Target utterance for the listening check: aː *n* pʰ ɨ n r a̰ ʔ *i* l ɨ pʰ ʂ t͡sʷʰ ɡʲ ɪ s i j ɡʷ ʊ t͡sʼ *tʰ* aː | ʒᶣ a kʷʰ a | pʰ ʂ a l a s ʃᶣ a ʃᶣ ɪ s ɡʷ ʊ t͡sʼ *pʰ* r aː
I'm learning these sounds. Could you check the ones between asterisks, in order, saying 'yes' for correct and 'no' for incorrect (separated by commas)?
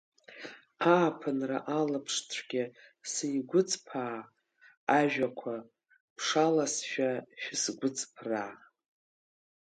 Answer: no, no, no, yes